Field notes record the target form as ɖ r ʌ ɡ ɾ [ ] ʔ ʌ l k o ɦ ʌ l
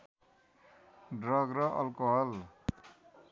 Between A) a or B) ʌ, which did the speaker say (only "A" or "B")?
B